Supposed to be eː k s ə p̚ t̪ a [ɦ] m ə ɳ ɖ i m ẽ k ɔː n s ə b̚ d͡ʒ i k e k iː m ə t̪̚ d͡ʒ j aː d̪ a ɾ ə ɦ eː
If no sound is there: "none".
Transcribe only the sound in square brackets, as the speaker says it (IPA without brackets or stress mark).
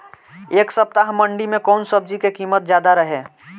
ɦ